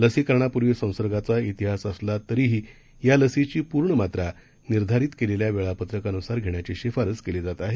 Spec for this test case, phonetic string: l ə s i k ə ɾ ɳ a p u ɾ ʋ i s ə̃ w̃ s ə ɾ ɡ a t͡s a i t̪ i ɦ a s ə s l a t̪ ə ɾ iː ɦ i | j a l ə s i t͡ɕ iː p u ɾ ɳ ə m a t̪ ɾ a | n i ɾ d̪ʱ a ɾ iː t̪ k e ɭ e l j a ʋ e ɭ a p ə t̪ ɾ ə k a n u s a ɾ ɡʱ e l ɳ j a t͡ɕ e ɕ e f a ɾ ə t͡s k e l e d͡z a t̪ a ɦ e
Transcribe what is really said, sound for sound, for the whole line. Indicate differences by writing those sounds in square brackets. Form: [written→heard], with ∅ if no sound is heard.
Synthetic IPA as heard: l ə s i k ə ɾ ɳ a p u ɾ ʋ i s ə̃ w̃ s ə ɾ ɡ a t͡s a i t̪ i ɦ a s ə s l a t̪ ə ɾ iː ɦ i | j a l ə s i t͡ɕ iː p u ɾ ɳ ə m a t̪ ɾ a | n i ɾ d̪ʱ a ɾ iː t̪ k e [ɭ→l] e l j a ʋ e ɭ a p ə t̪ ɾ ə k a n u s a ɾ ɡʱ e [l→∅] ɳ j a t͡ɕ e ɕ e f a ɾ ə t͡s k e l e d͡z a t̪ a ɦ e

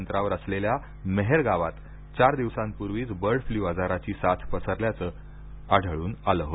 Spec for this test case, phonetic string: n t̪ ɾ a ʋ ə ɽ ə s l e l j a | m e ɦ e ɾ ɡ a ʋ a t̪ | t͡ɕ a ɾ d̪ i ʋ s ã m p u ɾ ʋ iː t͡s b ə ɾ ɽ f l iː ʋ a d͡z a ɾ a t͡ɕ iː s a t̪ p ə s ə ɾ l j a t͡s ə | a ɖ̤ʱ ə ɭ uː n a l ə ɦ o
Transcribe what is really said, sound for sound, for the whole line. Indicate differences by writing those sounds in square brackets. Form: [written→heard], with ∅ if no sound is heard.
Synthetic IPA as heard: n t̪ ɾ a ʋ ə [ɽ→ɾ] ə s l e l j a | m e ɦ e ɾ ɡ a ʋ a t̪ | t͡ɕ a ɾ d̪ i ʋ s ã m p u ɾ ʋ iː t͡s b ə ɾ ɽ f l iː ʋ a d͡z a ɾ a t͡ɕ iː s a [t̪→t̪ʰ] p ə s ə ɾ l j a t͡s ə | a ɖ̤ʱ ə ɭ uː n a l ə ɦ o

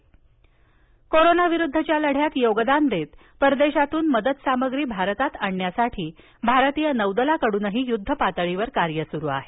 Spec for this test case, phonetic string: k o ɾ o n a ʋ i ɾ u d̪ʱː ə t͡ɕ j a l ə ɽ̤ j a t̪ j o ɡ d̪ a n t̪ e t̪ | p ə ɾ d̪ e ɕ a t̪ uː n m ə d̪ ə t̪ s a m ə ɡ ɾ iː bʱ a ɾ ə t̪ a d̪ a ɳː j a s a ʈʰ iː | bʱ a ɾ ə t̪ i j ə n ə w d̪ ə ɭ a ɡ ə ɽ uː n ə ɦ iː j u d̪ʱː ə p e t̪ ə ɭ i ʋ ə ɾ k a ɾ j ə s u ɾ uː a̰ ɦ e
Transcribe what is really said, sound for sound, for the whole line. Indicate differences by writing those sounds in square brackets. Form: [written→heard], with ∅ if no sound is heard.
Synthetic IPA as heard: k o ɾ o n a ʋ i ɾ u d̪ʱː ə t͡ɕ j a l ə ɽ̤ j a t̪ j o ɡ d̪ a n [t̪→d̪] e t̪ | p ə ɾ d̪ e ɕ a t̪ uː n m ə d̪ ə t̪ s a m ə ɡ ɾ iː bʱ a ɾ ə t̪ a [d̪→t̪] a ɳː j a s a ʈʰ iː | bʱ a ɾ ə t̪ i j ə n ə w d̪ ə [ɭ→l] a [ɡ→k] ə ɽ uː n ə ɦ iː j u d̪ʱː ə p [e→a] t̪ ə ɭ i ʋ ə ɾ k a ɾ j ə s u ɾ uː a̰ ɦ e

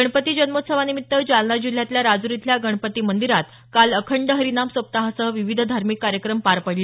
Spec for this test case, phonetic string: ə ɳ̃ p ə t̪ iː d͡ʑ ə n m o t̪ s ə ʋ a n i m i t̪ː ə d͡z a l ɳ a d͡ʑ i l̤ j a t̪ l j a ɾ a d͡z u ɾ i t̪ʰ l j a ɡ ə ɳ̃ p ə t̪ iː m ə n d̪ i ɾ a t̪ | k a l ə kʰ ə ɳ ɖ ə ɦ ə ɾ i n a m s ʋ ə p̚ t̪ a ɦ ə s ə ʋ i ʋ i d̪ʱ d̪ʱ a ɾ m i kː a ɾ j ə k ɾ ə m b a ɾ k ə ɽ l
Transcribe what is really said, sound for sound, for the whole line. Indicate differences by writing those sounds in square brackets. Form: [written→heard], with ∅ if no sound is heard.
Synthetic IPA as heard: ə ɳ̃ p ə t̪ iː d͡ʑ ə n m o t̪ s ə ʋ a n i m i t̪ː ə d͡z a l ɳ a d͡ʑ i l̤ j a t̪ l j a ɾ a d͡z u ɾ i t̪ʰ l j a ɡ ə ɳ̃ p ə t̪ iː m ə n d̪ i ɾ a t̪ | k a l ə kʰ ə ɳ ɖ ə ɦ ə ɾ i n a m s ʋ ə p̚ t̪ a ɦ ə s ə ʋ i ʋ i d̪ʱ d̪ʱ a ɾ m i kː a ɾ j ə k ɾ ə m [b→p] a ɾ [k→p] ə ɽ l

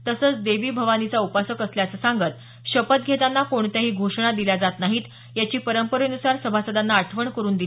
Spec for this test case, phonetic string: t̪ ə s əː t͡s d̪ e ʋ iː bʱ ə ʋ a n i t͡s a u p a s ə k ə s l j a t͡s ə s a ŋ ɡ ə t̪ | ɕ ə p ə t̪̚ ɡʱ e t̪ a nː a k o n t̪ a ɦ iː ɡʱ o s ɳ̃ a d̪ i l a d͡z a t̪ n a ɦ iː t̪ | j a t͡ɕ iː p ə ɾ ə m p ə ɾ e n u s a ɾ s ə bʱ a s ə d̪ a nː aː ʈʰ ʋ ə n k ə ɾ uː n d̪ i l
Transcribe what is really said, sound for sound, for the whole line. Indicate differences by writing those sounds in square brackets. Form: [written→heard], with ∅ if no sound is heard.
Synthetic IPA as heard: t̪ ə s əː t͡s d̪ e ʋ iː bʱ ə ʋ a n i t͡s a u p a s ə k ə s l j a t͡s ə s a ŋ ɡ ə t̪ | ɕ ə p ə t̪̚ ɡʱ e t̪ a nː a k o [n→ɳ] t̪ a ɦ iː ɡʱ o [s→ʂ] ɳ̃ a d̪ i l a d͡z a t̪ n a ɦ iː t̪ | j a t͡ɕ iː p ə ɾ ə m p ə ɾ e n u s a ɾ s ə bʱ a s ə d̪ a nː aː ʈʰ ʋ ə [n→ɳ] k ə ɾ uː n d̪ i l

